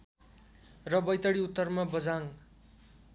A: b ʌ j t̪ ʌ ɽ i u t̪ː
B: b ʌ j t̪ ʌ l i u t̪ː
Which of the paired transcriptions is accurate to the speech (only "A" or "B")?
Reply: A